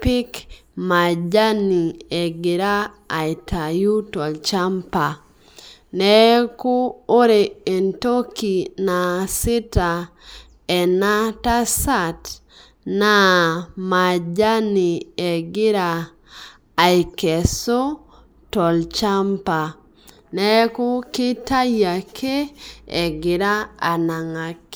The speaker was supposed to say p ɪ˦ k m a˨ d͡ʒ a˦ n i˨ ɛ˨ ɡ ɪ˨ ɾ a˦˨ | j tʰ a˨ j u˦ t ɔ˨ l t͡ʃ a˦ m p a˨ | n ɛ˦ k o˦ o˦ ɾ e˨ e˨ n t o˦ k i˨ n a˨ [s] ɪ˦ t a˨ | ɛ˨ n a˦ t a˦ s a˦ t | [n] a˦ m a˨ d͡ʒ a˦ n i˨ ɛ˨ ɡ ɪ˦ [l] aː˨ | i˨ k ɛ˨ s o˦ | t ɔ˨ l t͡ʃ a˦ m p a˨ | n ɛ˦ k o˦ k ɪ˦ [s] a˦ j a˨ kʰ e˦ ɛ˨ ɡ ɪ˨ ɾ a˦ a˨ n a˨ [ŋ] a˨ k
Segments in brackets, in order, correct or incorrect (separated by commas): correct, correct, incorrect, incorrect, correct